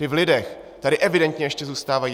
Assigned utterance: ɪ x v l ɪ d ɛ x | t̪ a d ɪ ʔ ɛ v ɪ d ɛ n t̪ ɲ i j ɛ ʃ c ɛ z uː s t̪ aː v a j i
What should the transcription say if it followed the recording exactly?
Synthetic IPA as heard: ɪ v l ɪ d ɛ x | t̪ a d ɪ ʔ ɛ v ɪ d ɛ n t̪ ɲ ɛ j ɛ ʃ c ɛ z uː s t̪ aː v a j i